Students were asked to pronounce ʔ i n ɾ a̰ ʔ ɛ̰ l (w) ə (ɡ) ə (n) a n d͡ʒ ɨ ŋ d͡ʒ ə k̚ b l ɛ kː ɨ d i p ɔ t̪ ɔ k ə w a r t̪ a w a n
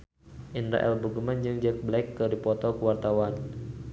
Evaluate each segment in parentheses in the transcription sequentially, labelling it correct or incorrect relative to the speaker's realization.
incorrect: b, correct, incorrect: m

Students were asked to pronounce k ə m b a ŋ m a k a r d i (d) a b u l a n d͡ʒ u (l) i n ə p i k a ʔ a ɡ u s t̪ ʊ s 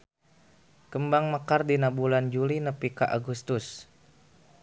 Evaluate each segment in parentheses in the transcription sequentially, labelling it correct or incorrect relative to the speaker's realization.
incorrect: n, correct

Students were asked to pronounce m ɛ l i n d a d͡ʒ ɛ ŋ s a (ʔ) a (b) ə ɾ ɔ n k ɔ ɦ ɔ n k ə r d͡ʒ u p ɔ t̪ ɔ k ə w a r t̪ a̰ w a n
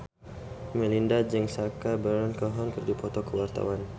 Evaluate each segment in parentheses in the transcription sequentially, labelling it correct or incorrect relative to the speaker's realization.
incorrect: k, correct

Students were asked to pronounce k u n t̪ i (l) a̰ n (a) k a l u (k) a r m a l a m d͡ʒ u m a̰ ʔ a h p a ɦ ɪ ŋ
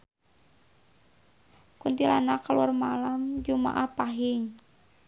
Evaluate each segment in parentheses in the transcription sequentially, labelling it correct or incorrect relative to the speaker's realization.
correct, correct, incorrect: none

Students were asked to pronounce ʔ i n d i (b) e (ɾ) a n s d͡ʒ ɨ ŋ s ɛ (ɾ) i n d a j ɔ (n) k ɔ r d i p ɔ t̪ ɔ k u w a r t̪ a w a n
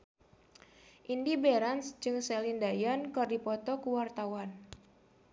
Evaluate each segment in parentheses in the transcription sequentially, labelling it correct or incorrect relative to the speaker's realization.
correct, correct, incorrect: l, correct

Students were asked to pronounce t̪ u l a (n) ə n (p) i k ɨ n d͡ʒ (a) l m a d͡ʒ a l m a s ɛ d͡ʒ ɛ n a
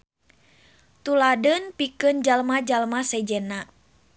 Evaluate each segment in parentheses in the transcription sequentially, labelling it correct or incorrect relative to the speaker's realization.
incorrect: d, correct, correct

